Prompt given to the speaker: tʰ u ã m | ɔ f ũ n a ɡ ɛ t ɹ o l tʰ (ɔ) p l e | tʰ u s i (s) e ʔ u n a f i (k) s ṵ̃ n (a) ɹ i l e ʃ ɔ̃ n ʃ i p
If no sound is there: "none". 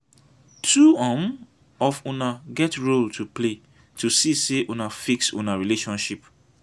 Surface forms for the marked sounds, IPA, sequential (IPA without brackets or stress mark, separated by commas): u, s, k, a